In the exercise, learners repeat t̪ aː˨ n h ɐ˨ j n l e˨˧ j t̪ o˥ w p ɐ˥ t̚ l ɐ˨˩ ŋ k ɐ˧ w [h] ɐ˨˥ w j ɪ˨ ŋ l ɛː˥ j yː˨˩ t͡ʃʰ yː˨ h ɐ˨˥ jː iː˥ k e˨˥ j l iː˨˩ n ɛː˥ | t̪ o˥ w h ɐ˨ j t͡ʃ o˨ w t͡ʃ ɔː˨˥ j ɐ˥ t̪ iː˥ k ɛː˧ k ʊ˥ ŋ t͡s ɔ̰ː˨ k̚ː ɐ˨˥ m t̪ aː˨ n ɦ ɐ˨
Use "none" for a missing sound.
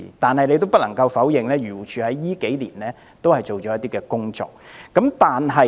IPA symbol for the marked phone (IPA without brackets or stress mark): f